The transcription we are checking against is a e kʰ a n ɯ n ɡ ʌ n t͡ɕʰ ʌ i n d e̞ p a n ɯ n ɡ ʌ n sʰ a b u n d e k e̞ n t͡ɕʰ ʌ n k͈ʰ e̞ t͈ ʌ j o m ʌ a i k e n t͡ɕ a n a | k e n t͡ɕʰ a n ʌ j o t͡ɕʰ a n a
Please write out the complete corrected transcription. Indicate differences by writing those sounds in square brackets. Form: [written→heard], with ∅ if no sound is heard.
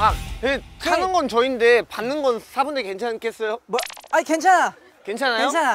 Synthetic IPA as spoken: a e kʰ a n ɯ n ɡ ʌ n [t͡ɕʰ→t͡ɕ] ʌ i n d e̞ p a [n→nː] ɯ n ɡ ʌ n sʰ a b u n d e k e̞ n t͡ɕʰ [ʌ→a] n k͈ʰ e̞ [t͈→s͈] ʌ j o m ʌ a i k e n [t͡ɕ→t͡ɕʰ] a n a | k e n t͡ɕʰ a n [ʌ→a] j o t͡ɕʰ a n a